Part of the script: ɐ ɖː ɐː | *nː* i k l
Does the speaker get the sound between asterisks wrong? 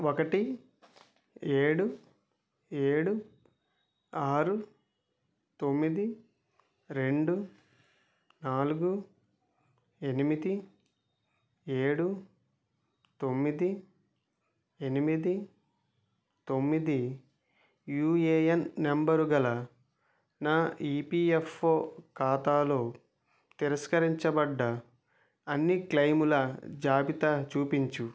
no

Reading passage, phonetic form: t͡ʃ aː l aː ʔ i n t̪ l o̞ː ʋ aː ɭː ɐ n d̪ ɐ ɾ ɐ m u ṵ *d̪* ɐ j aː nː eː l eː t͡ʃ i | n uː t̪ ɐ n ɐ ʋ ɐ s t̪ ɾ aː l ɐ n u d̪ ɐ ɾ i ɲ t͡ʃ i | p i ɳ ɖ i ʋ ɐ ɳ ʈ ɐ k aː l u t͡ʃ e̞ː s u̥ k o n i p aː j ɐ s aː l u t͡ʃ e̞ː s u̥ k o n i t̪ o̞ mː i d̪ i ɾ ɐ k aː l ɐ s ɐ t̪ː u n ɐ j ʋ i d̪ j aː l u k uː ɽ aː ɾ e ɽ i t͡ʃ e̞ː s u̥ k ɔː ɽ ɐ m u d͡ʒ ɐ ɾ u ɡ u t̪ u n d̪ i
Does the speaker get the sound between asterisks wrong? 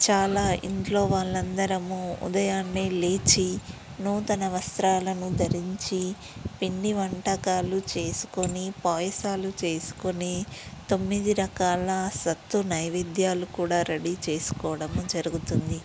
no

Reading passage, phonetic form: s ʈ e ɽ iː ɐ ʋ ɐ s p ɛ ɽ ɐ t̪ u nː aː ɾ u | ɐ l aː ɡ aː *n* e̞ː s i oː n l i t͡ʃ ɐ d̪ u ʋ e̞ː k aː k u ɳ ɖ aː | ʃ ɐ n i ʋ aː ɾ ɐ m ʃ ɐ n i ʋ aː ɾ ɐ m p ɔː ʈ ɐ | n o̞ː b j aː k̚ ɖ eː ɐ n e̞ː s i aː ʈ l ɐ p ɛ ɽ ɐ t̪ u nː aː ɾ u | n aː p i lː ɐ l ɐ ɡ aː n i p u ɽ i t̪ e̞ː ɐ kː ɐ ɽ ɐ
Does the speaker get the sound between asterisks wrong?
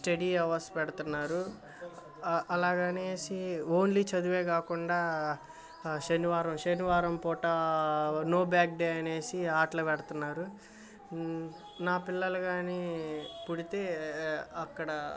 no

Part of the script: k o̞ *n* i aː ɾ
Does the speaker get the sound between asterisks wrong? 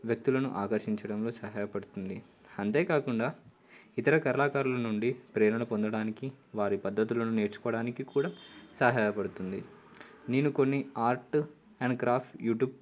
yes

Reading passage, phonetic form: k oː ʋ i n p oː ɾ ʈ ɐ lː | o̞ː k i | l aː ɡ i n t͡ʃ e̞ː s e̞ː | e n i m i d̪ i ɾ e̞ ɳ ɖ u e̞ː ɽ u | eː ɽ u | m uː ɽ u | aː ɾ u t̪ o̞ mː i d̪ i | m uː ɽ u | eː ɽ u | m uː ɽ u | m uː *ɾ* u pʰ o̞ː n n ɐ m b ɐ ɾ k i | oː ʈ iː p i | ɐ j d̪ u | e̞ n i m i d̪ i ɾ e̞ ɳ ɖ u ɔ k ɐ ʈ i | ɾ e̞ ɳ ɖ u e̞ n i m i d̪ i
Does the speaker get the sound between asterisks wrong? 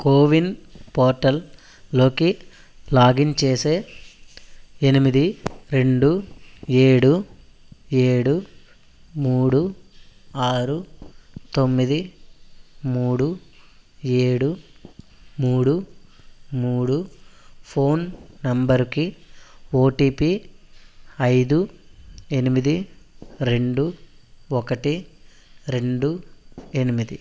yes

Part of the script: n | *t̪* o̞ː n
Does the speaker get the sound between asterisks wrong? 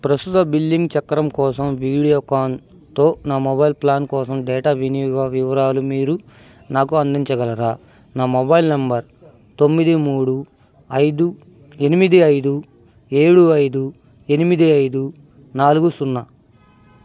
no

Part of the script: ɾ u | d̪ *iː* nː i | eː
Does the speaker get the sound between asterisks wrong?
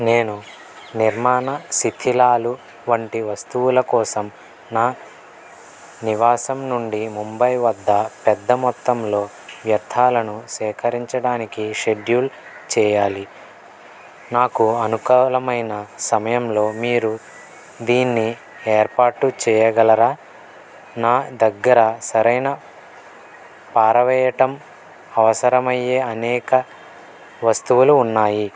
no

